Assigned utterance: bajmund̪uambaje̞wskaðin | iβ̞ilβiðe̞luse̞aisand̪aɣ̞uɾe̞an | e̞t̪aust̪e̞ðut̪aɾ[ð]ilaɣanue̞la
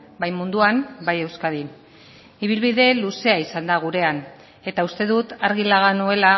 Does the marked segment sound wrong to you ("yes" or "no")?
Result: yes